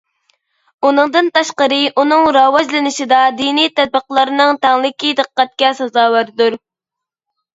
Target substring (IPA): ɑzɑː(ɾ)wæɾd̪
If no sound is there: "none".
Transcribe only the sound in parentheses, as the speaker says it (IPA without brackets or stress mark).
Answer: none